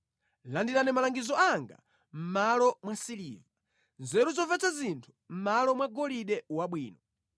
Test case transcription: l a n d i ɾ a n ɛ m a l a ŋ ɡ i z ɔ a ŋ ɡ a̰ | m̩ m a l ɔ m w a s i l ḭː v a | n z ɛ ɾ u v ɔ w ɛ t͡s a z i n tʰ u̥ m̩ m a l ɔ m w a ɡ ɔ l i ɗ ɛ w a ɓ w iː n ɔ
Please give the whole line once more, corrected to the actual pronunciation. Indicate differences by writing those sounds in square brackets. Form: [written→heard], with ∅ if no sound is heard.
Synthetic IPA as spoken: l a n d i ɾ a n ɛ m a l a ŋ ɡ i z ɔ a ŋ ɡ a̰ | m̩ m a l ɔ m w a s i l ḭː v a | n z ɛ ɾ u [v→z] ɔ [w→v] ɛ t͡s a z i n tʰ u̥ m̩ m a l ɔ m w a ɡ ɔ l i ɗ ɛ w a ɓ w iː n ɔ